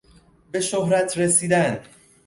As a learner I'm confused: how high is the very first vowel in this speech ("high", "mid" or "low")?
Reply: mid